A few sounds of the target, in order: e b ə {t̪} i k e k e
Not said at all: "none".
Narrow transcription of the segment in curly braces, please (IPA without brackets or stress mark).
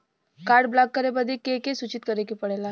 d̪